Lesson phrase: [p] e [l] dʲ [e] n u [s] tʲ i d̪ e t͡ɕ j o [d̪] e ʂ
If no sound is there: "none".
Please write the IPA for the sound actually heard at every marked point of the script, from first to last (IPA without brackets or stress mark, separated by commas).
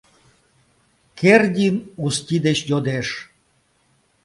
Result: k, r, i, s, d̪